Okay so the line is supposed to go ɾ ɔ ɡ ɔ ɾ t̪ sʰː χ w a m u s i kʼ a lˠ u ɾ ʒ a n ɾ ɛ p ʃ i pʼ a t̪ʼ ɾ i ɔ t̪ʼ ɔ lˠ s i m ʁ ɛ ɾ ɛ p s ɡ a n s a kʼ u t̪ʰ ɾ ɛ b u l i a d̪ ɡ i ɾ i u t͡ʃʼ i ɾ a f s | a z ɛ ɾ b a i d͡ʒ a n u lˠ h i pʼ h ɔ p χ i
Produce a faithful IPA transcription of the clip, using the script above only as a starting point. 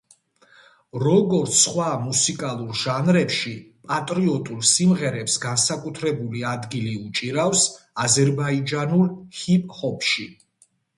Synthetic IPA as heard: ɾ ɔ ɡ ɔ ɾ t̪ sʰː χ w a m u s i kʼ a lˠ u ɾ ʒ a n ɾ ɛ p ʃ i pʼ a t̪ʼ ɾ i ɔ t̪ʼ u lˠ s i m ʁ ɛ ɾ ɛ p s ɡ a n s a kʼ u t̪ʰ ɾ ɛ b u l i a d̪ ɡ i l i u t͡ʃʼ i ɾ a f s | a z ɛ ɾ b a i d͡ʒ a n u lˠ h i pʼ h ɔ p ʃ i